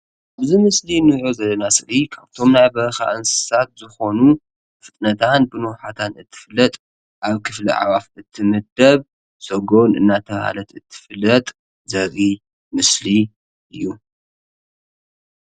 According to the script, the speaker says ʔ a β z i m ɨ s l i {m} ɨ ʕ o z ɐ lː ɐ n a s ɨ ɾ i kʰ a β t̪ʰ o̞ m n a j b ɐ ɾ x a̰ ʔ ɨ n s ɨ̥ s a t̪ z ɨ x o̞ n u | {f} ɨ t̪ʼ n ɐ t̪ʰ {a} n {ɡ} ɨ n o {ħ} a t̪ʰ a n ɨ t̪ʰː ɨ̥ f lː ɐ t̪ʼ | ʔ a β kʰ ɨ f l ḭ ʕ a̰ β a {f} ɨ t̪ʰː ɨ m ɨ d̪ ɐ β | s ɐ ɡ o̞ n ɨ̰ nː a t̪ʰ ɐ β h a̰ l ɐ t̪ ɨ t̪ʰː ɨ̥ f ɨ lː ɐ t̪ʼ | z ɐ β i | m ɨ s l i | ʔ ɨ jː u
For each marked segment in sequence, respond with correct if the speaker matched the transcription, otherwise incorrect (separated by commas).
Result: incorrect, correct, correct, incorrect, correct, correct